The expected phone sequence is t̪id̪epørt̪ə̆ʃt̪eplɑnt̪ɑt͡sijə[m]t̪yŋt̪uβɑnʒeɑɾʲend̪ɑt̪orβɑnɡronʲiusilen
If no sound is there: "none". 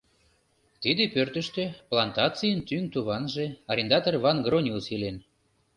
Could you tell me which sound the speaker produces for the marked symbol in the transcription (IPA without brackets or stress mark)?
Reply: n